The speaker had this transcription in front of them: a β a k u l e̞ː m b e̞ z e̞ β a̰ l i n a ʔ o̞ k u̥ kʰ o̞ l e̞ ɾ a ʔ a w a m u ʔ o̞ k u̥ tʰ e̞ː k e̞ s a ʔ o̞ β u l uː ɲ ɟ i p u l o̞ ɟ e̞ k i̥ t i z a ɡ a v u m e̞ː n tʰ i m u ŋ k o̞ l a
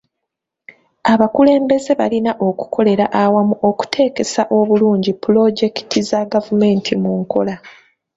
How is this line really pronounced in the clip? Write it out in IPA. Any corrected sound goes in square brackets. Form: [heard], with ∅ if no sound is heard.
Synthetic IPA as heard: a β a k u l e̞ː m b e̞ z e̞ β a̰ l i n a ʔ o̞ k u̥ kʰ o̞ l e̞ ɾ a ʔ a w a m u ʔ o̞ k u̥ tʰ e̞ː k e̞ s a ʔ o̞ β u l uː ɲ ɟ i p u l o̞ ɟ e̞ k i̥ t i z a ɡ a v u m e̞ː n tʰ i m u ŋ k o̞ l a